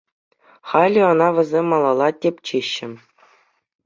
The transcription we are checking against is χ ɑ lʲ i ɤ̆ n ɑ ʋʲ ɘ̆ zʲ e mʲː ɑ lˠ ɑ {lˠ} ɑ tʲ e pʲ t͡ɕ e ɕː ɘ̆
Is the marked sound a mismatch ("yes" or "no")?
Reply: no